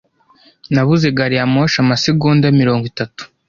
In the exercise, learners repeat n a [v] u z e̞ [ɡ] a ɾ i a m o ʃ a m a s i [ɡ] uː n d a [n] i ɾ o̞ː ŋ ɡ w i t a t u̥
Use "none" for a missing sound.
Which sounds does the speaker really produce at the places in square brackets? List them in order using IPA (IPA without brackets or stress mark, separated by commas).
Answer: β, ɡ, ɡ, m